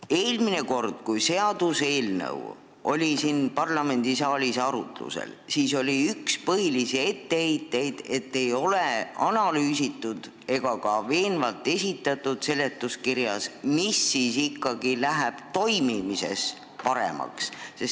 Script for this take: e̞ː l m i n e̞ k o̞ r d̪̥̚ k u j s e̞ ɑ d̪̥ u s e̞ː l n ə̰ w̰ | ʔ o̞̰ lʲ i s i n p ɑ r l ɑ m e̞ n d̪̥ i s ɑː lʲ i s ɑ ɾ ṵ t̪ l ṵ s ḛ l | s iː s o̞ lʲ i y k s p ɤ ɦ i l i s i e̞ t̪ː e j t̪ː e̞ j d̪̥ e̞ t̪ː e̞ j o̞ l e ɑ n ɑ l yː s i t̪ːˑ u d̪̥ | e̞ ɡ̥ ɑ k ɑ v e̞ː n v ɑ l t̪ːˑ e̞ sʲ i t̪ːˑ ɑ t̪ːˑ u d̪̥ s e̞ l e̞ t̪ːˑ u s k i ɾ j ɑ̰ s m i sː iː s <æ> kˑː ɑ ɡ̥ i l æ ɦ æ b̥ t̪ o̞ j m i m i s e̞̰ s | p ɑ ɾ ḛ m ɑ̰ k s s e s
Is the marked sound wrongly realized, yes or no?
yes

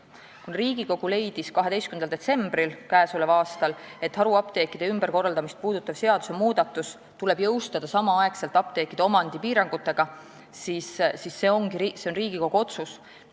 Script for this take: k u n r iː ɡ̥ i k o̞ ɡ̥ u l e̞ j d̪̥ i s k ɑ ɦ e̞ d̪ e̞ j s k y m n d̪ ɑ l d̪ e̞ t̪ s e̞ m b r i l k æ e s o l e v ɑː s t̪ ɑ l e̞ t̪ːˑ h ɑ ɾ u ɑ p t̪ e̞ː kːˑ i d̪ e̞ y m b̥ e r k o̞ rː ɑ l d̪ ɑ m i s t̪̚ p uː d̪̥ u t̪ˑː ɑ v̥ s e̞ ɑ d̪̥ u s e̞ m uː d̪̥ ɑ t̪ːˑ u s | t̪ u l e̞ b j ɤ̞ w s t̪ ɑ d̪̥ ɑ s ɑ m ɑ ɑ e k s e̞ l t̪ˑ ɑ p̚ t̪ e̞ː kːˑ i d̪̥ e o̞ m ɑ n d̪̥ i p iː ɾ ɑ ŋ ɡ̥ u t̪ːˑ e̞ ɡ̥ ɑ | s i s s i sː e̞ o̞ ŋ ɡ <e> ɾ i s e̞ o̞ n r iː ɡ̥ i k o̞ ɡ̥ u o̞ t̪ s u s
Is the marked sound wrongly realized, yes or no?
yes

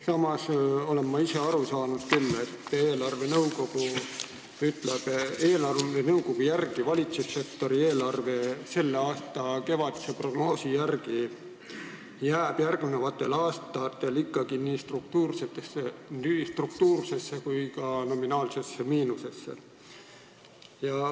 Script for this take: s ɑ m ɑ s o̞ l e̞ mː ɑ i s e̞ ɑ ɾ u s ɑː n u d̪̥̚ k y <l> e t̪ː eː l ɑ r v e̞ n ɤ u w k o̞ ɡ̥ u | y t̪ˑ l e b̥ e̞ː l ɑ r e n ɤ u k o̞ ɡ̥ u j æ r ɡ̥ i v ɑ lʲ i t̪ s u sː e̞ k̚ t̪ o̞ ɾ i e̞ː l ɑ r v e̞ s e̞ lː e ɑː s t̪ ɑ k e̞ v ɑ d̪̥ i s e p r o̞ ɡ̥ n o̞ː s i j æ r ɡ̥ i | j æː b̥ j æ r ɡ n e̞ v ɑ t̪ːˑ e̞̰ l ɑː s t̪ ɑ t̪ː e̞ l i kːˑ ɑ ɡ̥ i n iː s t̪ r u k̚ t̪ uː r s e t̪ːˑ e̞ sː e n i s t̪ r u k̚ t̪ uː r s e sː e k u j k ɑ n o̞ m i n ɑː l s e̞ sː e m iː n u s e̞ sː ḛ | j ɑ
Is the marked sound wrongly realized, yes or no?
yes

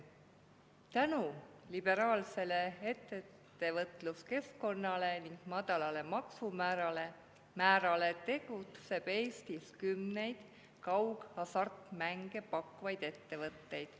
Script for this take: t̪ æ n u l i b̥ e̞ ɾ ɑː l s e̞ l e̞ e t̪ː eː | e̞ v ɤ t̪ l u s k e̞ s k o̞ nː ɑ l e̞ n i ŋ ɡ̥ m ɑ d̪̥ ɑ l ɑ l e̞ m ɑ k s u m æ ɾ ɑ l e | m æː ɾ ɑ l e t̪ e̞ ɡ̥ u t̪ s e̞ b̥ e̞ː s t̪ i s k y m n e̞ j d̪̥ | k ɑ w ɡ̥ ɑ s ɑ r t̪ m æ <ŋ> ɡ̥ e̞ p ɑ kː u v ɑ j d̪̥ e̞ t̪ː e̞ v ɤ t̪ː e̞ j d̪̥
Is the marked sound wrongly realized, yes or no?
no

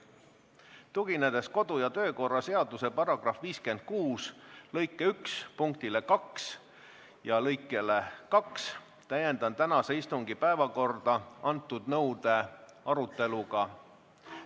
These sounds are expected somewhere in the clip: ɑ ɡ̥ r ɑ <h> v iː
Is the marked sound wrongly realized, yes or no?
yes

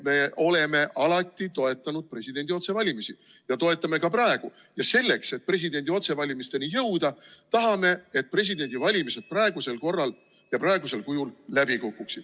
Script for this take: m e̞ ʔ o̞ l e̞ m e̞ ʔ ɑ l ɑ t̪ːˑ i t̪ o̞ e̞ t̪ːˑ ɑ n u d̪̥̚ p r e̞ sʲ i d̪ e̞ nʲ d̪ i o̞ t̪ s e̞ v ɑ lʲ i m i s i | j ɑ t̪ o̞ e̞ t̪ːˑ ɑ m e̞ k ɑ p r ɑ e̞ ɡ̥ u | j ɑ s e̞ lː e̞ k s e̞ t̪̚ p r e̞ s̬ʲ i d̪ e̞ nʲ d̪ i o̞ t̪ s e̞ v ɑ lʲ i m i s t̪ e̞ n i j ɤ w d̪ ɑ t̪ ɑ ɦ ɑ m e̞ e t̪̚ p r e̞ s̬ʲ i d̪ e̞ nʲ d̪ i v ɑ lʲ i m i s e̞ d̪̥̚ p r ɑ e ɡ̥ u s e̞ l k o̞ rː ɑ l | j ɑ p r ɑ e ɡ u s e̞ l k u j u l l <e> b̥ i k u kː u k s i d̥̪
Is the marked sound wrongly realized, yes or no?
yes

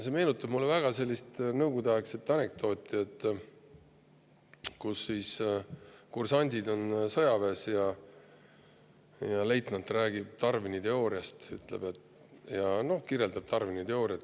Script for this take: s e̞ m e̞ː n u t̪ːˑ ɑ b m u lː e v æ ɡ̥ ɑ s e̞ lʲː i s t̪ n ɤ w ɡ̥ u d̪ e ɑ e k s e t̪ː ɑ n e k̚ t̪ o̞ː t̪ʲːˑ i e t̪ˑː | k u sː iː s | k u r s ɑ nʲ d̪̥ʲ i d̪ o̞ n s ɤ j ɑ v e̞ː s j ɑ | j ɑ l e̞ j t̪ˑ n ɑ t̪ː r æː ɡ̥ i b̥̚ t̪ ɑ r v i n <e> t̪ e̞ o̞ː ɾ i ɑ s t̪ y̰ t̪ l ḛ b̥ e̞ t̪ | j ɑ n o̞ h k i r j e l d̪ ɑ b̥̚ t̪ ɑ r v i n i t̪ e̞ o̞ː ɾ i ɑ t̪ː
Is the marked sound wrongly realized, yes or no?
yes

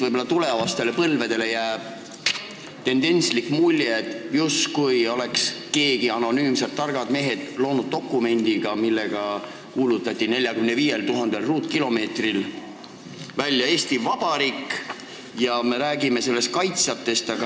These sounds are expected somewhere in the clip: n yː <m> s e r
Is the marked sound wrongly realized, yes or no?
no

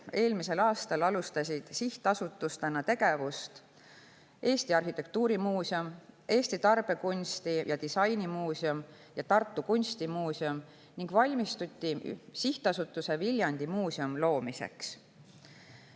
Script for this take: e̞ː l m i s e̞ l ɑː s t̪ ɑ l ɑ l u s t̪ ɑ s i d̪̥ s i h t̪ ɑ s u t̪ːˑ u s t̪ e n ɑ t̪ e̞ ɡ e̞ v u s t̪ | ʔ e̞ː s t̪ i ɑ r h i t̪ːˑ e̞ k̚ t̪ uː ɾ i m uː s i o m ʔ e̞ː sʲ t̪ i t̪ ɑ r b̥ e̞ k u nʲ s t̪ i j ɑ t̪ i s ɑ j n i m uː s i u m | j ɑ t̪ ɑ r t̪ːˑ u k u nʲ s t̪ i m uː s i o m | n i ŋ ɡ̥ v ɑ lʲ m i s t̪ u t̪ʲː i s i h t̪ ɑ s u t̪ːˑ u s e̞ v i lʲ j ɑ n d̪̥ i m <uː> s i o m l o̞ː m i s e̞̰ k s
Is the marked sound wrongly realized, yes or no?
no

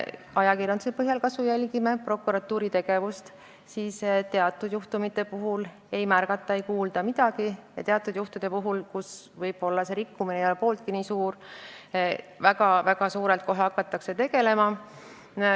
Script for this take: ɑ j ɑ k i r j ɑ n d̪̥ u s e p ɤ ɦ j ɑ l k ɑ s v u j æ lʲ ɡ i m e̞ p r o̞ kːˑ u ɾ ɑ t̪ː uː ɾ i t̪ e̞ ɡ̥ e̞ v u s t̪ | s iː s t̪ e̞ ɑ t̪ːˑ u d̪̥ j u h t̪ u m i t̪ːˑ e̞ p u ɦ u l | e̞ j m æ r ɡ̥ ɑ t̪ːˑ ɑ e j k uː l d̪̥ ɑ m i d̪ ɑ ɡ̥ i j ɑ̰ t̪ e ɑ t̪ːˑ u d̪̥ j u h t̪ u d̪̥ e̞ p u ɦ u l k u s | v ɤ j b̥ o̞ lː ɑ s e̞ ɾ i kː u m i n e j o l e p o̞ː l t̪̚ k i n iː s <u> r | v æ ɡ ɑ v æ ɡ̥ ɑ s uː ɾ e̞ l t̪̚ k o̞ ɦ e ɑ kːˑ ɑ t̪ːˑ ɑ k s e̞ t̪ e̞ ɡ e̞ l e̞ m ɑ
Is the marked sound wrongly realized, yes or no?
yes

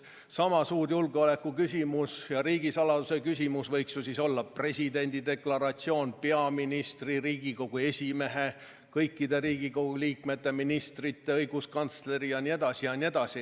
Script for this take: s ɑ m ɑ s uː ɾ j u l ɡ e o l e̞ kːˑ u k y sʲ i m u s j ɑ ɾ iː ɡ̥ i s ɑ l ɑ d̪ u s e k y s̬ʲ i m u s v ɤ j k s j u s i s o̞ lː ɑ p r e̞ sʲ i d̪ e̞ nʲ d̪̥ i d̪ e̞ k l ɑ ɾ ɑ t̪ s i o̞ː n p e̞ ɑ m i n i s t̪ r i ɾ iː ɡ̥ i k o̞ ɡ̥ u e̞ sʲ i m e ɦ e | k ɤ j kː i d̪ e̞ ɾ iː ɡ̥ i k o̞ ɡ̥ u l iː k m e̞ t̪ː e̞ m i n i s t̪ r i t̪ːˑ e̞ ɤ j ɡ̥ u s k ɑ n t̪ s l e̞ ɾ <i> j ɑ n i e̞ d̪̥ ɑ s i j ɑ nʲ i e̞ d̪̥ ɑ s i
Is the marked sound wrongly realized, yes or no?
no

